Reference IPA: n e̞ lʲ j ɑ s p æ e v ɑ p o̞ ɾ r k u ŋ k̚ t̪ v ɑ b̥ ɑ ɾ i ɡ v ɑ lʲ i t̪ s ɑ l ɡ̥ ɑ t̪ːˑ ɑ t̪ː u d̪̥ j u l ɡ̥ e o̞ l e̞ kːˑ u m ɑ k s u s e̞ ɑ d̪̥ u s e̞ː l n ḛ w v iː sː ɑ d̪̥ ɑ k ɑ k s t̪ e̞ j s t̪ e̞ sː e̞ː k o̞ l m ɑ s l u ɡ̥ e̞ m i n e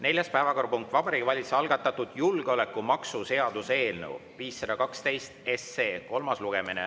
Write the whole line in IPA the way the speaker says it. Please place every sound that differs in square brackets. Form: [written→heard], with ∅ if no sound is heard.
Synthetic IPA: n e̞ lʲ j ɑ s p æ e v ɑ [p→k] o̞ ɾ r [k→p] u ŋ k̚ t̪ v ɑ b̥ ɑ ɾ i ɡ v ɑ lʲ i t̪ s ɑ l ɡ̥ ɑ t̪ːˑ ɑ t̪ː u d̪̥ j u l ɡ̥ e o̞ l e̞ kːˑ u m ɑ k s u s e̞ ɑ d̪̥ u s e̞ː l n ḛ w v iː sː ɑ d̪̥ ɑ k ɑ k s t̪ e̞ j s t̪ e̞ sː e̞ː k o̞ l m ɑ s l u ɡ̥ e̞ m i n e

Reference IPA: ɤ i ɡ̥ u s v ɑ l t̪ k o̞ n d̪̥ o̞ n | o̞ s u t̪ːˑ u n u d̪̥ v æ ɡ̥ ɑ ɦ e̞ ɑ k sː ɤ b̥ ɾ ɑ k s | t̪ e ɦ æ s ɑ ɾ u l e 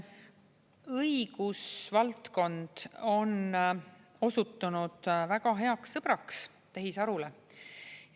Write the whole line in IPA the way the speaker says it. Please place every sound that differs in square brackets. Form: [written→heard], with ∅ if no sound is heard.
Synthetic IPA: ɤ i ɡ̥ u s v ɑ l t̪ k o̞ n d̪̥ o̞ n | o̞ s u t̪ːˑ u n u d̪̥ v æ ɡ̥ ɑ ɦ e̞ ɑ k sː ɤ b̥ ɾ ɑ k s | t̪ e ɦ [æ→i] s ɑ ɾ u l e

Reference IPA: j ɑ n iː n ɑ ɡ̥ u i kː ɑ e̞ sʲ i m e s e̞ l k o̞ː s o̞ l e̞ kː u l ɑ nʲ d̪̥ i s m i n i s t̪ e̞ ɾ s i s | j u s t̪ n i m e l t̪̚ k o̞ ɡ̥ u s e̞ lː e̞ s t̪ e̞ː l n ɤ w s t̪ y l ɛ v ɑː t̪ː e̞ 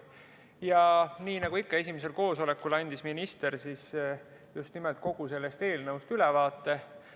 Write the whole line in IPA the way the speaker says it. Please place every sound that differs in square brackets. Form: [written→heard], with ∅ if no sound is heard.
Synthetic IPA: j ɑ n iː n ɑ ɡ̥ u i kː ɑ e̞ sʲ i m e s e̞ l k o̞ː s o̞ l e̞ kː u l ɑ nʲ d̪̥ i s m i n i s t̪ e̞ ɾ s i s | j u s t̪ n i m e l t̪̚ k o̞ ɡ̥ u s e̞ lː e̞ s t̪ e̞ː l n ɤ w s t̪ y l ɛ v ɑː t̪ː e̞

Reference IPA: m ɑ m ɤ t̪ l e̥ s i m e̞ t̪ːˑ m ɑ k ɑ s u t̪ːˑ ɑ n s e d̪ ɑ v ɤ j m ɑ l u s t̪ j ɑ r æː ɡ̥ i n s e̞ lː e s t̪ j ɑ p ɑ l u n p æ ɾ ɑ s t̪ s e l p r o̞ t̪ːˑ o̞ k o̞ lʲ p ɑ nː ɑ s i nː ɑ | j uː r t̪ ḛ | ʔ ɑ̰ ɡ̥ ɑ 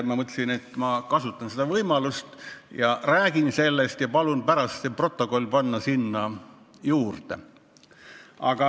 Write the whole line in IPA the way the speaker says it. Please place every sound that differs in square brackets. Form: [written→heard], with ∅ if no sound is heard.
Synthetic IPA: m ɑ m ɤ t̪ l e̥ s i [m→n] e̞ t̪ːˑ m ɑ k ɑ s u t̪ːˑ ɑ n s e d̪ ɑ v ɤ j m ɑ l u s t̪ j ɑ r æː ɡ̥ i n s e̞ lː e s t̪ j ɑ p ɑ l u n p æ ɾ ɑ s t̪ s e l p r o̞ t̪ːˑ o̞ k o̞ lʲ p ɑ nː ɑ s i nː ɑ | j uː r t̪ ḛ | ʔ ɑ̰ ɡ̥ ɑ

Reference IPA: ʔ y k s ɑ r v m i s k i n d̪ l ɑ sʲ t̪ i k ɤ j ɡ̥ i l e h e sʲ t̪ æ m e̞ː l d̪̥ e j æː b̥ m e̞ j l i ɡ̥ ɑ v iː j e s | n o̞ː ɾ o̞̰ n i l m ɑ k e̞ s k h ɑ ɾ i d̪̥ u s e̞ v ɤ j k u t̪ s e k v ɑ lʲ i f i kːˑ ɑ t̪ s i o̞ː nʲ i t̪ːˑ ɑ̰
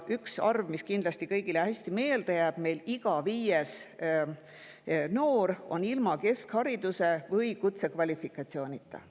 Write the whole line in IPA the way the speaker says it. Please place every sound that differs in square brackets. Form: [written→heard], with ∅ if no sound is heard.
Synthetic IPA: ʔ y k s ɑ r v m i s k i n d̪ l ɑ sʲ t̪ i k ɤ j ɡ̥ i l e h [e→æ] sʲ t̪ [æ→i] m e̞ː l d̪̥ e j æː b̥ m e̞ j l i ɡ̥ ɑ v iː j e s | n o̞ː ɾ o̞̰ n i l m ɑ k e̞ s k h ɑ ɾ i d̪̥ u s e̞ v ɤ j k u t̪ s e k v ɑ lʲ i f i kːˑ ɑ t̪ s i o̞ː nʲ i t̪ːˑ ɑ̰

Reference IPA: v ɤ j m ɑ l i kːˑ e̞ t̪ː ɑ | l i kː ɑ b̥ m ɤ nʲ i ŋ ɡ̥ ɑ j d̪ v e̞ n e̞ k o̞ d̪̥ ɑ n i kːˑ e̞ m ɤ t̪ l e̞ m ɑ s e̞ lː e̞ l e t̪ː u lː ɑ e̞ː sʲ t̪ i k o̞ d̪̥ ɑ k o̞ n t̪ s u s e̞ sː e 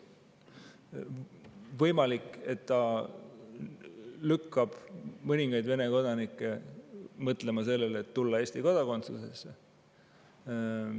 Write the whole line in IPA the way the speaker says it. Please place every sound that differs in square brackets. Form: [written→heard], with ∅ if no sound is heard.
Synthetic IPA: v ɤ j m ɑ l i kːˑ e̞ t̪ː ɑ | l [i→y] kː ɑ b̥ m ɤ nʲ i ŋ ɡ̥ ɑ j d̪ v e̞ n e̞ k o̞ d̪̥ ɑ n i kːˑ e̞ m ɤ t̪ l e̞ m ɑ s e̞ lː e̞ l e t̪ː u lː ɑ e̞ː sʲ t̪ i k o̞ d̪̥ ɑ k o̞ n t̪ s u s e̞ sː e

